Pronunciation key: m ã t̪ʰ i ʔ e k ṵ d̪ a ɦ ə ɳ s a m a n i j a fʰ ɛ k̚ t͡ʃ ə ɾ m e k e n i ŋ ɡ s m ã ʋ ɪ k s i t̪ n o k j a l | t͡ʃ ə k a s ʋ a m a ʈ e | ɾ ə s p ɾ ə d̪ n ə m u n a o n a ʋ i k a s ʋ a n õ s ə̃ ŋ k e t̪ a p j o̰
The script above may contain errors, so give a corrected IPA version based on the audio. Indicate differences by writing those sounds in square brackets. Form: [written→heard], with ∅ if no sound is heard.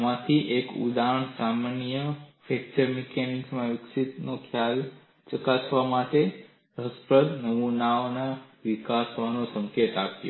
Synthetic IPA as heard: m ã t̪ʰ i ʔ e k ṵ d̪ a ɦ ə ɳ s a m a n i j [a→ə] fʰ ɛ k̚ t͡ʃ ə ɾ m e k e n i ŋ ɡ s m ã ʋ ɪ k s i t̪ n o [k→kʰ] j a l | t͡ʃ ə k a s ʋ a m a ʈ e | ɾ ə s p ɾ ə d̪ n ə m u n a o n a ʋ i k a s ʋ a n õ s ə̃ ŋ k e t̪ a p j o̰